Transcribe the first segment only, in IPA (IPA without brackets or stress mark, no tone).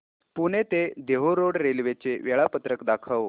p